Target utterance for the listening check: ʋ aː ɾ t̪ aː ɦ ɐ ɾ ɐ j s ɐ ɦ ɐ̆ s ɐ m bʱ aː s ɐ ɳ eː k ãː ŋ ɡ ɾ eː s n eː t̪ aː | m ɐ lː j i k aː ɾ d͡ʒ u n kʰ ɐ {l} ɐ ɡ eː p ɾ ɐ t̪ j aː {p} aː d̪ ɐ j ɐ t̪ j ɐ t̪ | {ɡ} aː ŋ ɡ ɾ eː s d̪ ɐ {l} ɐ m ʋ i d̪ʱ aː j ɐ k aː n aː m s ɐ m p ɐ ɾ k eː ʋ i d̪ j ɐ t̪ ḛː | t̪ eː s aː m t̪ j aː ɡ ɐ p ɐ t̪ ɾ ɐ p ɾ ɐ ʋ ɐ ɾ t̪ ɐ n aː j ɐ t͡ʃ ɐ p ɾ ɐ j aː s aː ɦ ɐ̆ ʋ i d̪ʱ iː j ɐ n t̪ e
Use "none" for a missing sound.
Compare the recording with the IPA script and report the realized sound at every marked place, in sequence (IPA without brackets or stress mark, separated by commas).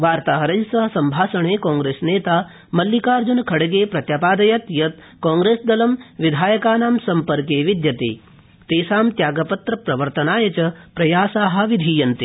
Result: ɽ, p, k, l